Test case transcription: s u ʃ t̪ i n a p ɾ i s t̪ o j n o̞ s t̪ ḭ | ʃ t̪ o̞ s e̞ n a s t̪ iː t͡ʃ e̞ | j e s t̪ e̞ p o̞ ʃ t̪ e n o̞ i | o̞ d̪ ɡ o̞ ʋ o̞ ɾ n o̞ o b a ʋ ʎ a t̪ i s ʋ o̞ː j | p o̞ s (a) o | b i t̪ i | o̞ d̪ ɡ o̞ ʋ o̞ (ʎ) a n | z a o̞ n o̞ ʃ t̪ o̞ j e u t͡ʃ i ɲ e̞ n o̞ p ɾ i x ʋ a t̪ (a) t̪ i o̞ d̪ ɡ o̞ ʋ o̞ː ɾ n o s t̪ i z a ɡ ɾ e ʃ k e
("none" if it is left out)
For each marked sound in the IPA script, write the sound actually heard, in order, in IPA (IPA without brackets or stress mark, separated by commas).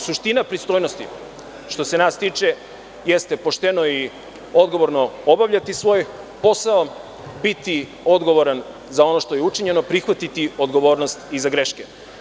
a, ɾ, i